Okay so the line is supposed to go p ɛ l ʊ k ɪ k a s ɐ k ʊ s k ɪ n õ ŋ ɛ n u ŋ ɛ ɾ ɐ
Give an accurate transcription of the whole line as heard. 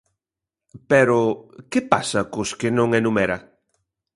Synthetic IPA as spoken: p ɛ ɾ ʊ k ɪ p a s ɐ k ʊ s k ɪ n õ ŋ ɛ n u m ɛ ɾ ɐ